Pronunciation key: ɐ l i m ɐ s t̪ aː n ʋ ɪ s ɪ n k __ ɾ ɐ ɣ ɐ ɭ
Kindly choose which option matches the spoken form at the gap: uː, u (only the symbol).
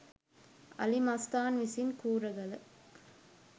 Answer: uː